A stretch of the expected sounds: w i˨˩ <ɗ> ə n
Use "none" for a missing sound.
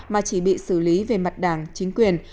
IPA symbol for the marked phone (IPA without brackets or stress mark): none